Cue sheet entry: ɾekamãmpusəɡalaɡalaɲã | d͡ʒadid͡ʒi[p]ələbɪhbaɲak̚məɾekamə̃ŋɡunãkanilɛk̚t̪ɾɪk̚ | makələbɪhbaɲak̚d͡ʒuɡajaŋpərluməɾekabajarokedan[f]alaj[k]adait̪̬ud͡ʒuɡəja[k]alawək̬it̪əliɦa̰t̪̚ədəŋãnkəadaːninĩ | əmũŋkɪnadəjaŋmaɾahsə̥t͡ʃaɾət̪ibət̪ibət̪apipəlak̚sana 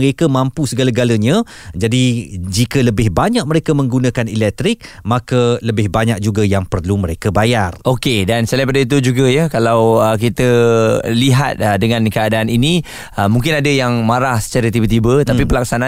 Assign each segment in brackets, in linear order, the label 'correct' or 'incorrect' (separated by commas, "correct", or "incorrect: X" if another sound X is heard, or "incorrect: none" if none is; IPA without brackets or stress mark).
incorrect: k, incorrect: s, incorrect: p, correct